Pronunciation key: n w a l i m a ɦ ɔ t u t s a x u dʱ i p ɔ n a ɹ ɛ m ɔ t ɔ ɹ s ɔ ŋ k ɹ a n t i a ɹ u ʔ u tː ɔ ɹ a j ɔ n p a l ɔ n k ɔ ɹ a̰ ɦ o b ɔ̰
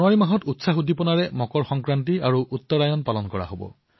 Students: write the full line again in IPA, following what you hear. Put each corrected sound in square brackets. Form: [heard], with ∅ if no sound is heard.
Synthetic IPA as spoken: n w a [ɹ] i m a ɦ ɔ t u t s a x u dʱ i p ɔ n a ɹ ɛ m ɔ [k] ɔ ɹ [x] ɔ ŋ k ɹ a n t i a ɹ u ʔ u tː ɔ ɹ a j ɔ n p a l ɔ n k ɔ ɹ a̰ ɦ o b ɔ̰